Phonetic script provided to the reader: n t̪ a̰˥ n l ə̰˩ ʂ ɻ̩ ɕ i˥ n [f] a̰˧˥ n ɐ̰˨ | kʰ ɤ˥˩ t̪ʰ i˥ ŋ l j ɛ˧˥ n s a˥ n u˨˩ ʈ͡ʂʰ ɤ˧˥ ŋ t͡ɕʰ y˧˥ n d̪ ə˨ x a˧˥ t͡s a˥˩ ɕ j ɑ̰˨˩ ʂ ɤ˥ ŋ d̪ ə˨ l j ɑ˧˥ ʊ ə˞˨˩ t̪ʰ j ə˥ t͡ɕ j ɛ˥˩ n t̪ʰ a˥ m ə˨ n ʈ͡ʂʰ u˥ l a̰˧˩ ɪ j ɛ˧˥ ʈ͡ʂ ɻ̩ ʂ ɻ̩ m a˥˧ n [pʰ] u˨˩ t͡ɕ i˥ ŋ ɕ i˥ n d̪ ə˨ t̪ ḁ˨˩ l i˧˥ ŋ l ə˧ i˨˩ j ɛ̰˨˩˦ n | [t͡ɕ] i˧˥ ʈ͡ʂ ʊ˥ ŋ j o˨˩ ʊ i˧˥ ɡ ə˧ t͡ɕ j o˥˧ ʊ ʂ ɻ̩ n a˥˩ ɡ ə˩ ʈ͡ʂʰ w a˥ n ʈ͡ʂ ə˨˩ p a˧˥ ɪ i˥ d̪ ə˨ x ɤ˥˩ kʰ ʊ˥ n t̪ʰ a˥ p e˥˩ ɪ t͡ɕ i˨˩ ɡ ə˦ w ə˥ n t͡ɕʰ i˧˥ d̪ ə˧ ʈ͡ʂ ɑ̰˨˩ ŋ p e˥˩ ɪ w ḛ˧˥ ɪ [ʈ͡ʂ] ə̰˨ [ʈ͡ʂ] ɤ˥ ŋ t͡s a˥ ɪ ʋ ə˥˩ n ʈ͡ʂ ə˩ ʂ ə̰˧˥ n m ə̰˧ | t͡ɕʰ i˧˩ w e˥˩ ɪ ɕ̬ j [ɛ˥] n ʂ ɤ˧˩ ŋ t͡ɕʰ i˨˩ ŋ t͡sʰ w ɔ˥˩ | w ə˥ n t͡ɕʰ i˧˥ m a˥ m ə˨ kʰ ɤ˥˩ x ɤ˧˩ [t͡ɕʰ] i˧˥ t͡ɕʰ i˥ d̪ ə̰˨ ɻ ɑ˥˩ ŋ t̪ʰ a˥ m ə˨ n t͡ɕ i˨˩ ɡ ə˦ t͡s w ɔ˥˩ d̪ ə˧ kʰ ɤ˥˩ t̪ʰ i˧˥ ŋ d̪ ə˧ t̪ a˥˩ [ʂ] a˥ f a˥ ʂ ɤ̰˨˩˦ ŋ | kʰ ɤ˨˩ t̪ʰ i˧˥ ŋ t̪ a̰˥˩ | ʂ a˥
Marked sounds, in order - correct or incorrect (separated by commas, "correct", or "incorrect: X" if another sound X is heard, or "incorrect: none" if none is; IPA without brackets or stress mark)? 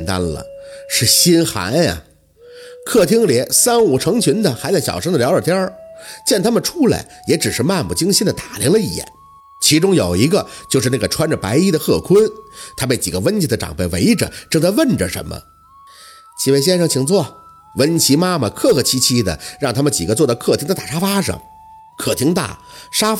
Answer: incorrect: x, incorrect: p, incorrect: t͡ɕʰ, correct, correct, correct, correct, correct